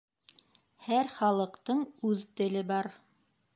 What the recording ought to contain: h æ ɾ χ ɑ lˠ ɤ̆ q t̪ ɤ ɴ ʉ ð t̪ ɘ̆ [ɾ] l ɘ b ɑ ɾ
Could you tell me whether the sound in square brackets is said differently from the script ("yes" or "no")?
yes